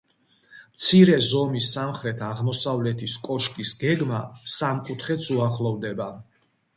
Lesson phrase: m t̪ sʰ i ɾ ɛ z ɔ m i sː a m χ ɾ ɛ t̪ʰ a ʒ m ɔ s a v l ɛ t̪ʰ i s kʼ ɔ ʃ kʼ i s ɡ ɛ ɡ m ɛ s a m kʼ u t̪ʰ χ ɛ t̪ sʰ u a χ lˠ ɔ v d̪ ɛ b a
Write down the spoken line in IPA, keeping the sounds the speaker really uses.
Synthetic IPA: m t̪ sʰ i ɾ ɛ z ɔ m i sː a m χ ɾ ɛ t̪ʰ a ʁ m ɔ s a v l ɛ t̪ʰ i s kʼ ɔ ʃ kʼ i s ɡ ɛ ɡ m a s a m kʼ u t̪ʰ χ ɛ t̪ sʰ u a χ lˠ ɔ v d̪ ɛ b a